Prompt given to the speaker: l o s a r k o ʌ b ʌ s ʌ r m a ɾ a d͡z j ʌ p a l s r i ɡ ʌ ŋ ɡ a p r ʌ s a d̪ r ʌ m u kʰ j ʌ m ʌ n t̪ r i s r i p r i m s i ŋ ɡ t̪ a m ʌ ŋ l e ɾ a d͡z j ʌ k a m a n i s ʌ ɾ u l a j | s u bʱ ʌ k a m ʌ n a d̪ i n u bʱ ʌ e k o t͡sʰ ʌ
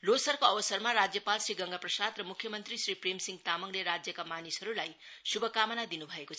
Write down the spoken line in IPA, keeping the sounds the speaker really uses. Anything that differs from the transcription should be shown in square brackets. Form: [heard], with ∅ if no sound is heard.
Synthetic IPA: l o s [ʌ] r k o ʌ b ʌ s ʌ r m a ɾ a d͡z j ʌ p a l s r i ɡ ʌ ŋ ɡ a p r ʌ s a d̪ r ʌ m u kʰ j ʌ m ʌ n t̪ r i s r i p r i m s i ŋ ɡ t̪ a m ʌ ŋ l e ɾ a d͡z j ʌ k a m a n i s ʌ ɾ u l a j | s u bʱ ʌ k a m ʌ n a d̪ i n u bʱ ʌ e k o t͡sʰ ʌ